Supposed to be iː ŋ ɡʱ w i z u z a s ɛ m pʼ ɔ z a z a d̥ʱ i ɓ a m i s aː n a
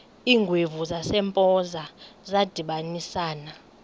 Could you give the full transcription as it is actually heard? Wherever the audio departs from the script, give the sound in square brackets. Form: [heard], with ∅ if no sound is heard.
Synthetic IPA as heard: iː ŋ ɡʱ w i [v] u z a s ɛ m pʼ ɔ z a z a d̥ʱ i ɓ a [n] i s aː n a